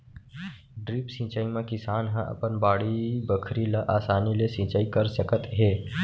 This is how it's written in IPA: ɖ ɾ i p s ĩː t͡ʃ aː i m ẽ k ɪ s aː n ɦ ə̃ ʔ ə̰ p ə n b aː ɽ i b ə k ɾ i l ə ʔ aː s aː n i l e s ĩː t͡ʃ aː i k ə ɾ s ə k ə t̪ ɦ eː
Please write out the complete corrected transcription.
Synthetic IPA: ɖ ɾ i p s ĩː t͡ʃ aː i m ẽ k ɪ s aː n ɦ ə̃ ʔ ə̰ p ə n b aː ɽ i b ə kʰ ɾ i l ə ʔ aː s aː n i l e s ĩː t͡ʃ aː i k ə ɾ s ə k ə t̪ ɦ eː